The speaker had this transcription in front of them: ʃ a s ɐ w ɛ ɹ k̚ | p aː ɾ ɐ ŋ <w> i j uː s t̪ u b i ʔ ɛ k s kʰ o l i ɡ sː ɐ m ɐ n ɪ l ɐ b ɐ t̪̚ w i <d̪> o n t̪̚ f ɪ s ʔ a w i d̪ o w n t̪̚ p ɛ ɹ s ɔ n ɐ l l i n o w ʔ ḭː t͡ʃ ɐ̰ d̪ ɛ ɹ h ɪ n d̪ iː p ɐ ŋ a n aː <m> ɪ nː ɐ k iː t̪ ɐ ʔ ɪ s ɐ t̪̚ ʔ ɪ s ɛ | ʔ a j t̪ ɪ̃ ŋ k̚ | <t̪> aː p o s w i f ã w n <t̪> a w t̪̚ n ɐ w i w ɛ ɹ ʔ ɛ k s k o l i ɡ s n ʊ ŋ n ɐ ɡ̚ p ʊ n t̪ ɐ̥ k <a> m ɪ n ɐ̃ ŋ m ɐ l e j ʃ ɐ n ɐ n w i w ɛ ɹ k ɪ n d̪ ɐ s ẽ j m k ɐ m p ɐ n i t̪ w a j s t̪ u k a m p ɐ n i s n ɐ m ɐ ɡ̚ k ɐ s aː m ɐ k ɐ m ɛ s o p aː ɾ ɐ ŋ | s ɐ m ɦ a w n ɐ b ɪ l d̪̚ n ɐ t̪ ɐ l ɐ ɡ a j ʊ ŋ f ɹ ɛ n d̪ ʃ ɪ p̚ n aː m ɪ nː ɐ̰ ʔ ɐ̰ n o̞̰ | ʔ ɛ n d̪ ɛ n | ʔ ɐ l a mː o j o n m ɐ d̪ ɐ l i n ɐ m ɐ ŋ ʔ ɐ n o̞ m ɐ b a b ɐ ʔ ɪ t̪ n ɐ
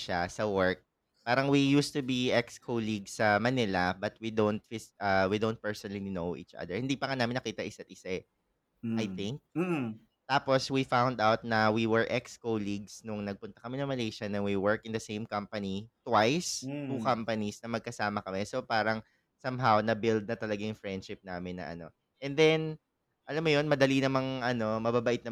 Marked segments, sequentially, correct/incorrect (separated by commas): correct, correct, correct, correct, incorrect, incorrect